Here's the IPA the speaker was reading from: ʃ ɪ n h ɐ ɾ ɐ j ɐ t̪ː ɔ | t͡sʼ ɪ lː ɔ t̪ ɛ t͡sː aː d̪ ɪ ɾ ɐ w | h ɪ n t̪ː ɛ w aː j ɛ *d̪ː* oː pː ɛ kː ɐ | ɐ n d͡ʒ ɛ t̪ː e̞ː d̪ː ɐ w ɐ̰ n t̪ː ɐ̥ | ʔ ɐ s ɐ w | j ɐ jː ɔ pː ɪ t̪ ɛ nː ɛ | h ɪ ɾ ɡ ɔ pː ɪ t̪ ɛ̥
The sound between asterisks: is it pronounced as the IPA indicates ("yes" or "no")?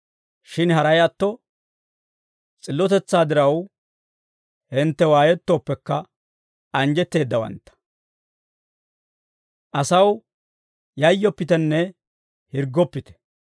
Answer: no